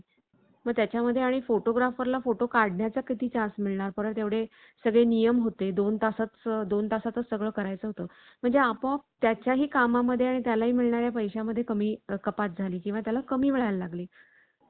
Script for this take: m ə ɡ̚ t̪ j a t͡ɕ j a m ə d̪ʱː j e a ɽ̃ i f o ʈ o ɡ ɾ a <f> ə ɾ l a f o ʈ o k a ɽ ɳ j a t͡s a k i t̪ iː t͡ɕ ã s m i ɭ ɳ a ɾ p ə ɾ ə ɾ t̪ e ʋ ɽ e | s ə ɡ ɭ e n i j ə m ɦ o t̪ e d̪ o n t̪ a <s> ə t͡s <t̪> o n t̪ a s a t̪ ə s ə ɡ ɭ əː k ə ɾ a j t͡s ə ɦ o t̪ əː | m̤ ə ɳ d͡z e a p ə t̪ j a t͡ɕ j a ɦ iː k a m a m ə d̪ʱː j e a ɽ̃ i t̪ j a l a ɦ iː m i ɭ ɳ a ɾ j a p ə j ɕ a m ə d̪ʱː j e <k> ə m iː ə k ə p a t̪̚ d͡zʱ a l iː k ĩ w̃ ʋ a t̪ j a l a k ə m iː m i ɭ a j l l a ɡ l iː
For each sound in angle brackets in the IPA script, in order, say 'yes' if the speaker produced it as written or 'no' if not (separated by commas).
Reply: yes, yes, no, yes